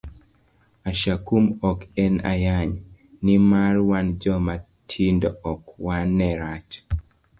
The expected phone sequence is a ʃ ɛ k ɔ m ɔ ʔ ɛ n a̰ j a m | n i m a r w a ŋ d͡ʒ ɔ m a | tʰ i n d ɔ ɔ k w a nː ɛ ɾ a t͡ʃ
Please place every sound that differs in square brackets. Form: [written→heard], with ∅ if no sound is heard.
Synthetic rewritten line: a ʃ [ɛ→a] k [ɔ→u] m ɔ [ʔ→k] ɛ n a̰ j a [m→ɲ] | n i m a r w a [ŋ→n] d͡ʒ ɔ m a | tʰ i n d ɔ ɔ k w a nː ɛ ɾ a t͡ʃ

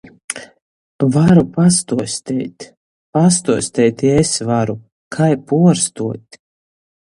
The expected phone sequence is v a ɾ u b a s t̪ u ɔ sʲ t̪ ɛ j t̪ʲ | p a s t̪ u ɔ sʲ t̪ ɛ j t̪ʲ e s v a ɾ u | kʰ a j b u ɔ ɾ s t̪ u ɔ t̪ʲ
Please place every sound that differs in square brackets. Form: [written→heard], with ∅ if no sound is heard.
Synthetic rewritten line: v a ɾ u [b→p] a s t̪ u ɔ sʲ t̪ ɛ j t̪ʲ | p a s t̪ u ɔ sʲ t̪ ɛ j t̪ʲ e s v a ɾ u | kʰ a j [b→p] u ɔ ɾ s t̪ u ɔ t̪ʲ

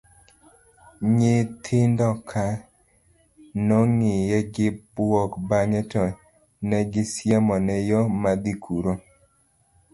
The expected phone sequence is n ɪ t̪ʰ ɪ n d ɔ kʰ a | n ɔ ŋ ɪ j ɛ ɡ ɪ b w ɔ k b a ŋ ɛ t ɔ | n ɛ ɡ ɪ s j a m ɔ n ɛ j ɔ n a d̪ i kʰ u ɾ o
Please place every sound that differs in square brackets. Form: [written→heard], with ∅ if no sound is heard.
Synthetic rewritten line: [n→ɲ] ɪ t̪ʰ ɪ n d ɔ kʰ a | n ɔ ŋ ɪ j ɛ ɡ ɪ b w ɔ k b a ŋ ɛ t ɔ | n ɛ ɡ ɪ s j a m ɔ n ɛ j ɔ [n→m] a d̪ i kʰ u ɾ o

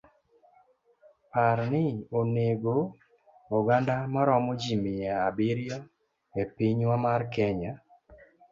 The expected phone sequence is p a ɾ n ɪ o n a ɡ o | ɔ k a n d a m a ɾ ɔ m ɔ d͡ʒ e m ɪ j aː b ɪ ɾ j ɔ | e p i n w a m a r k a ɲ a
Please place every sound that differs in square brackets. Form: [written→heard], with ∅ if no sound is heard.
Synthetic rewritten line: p a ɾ n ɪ o n [a→e] ɡ o | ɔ [k→ɡ] a n d a m a ɾ ɔ m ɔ d͡ʒ [e→i] m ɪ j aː b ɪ ɾ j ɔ | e p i [n→ɲ] w a m a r k [a→ɛ] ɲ a

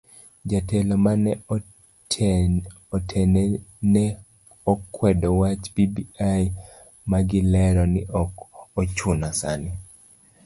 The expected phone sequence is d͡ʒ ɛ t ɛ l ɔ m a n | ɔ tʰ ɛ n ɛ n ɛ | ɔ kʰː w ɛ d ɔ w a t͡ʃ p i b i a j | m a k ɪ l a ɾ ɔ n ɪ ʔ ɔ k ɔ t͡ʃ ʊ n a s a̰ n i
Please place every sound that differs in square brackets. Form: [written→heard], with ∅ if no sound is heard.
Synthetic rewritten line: d͡ʒ [ɛ→a] t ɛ l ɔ m a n | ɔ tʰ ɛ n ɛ n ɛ | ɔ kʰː w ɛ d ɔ w a t͡ʃ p i b i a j | m a [k→ɡ] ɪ l [a→ɛ] ɾ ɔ n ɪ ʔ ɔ k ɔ t͡ʃ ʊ n a s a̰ n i

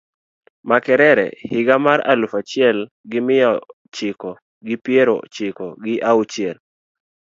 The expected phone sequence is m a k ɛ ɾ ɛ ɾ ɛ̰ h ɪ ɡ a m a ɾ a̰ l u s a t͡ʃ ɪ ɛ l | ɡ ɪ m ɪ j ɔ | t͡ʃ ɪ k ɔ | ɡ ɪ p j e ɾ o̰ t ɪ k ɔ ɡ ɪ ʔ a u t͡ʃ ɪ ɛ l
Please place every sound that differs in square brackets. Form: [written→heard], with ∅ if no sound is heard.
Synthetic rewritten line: m a k ɛ ɾ ɛ ɾ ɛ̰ h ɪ ɡ a m a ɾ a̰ l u [s→f] a t͡ʃ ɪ ɛ l | ɡ ɪ m ɪ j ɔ | t͡ʃ ɪ k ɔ | ɡ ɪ p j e ɾ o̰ [t→t͡ʃ] ɪ k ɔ ɡ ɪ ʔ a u t͡ʃ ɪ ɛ l

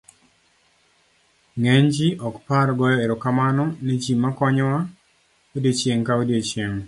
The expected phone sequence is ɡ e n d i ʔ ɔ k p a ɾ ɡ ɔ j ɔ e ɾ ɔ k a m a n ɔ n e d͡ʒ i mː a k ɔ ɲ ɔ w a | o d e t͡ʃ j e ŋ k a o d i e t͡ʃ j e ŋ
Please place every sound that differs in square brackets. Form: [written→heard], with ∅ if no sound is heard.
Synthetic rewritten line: [ɡ→ŋ] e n [d→d͡ʒ] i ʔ ɔ k p a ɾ ɡ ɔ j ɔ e ɾ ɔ k a m a n ɔ n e d͡ʒ i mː a k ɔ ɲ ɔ w a | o d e t͡ʃ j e ŋ k a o d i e t͡ʃ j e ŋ

